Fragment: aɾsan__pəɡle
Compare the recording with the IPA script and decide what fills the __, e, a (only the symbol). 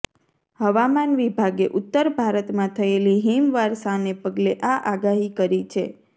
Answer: e